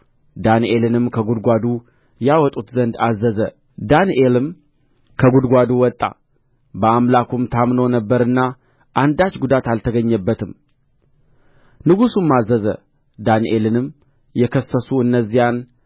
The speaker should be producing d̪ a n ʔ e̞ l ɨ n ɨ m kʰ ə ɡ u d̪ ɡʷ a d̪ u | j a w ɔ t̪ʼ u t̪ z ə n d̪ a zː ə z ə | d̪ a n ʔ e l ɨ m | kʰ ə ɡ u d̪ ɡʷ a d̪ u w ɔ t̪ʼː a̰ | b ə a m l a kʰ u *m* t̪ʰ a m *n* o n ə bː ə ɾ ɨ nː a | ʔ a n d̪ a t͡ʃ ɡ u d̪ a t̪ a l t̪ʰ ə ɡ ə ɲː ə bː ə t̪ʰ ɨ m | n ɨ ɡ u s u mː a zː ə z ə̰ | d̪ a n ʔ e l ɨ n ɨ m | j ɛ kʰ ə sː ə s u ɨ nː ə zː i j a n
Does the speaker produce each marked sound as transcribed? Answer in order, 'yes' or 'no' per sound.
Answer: yes, yes

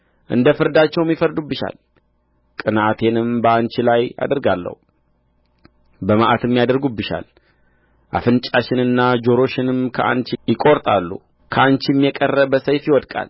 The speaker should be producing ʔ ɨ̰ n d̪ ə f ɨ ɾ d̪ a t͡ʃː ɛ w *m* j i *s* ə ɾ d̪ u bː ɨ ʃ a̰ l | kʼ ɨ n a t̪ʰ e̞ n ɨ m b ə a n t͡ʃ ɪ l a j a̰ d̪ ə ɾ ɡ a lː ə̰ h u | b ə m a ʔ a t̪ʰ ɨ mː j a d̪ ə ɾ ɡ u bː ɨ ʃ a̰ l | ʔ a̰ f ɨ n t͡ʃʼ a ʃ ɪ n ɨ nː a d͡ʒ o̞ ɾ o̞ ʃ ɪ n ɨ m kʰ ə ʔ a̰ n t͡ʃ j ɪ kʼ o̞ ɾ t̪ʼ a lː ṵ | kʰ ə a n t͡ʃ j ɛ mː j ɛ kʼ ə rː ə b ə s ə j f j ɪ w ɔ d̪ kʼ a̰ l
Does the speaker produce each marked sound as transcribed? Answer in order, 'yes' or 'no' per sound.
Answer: yes, no

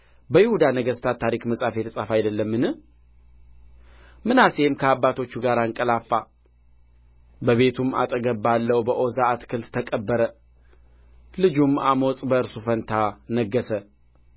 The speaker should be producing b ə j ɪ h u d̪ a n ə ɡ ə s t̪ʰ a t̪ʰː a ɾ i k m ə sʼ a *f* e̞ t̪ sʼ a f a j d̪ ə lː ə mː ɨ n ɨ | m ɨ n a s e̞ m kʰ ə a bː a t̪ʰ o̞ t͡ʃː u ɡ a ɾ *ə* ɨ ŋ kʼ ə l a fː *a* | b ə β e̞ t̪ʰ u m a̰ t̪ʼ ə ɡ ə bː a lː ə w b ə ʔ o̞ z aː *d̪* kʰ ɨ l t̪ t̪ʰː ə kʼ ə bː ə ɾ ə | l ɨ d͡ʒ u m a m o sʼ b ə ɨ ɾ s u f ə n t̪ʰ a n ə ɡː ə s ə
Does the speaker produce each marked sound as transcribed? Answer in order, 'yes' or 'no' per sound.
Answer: yes, no, yes, no

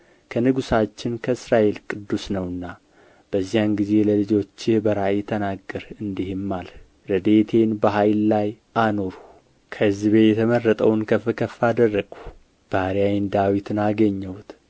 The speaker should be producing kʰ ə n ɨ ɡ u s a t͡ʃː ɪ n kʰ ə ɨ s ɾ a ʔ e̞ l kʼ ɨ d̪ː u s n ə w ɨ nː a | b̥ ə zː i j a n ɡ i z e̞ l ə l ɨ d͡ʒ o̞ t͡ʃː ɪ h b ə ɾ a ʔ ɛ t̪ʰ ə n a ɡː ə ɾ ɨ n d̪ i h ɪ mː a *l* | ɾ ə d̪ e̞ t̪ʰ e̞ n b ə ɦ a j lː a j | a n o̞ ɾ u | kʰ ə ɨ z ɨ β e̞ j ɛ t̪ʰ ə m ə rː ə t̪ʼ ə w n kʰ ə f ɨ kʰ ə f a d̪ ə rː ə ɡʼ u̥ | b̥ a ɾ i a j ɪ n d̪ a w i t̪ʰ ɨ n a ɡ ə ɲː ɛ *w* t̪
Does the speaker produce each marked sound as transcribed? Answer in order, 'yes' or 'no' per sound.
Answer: yes, yes

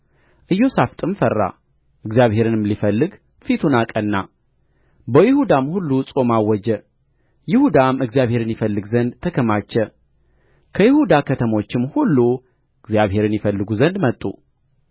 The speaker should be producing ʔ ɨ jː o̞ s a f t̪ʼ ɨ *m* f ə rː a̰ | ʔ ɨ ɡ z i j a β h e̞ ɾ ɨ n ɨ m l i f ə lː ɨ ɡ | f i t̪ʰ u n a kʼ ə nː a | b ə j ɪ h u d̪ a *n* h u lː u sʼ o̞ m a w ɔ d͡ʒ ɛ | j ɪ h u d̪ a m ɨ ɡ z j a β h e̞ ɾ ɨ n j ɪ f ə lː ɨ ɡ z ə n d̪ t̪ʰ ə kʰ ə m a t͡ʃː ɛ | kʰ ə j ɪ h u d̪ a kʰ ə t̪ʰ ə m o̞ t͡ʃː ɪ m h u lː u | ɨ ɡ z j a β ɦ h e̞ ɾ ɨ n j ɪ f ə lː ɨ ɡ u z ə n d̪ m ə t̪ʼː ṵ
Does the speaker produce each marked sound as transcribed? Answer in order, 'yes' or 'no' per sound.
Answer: yes, no

